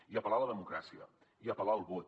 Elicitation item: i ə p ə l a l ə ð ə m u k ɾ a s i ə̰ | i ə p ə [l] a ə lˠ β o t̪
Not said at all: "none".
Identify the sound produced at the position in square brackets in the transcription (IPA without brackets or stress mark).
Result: l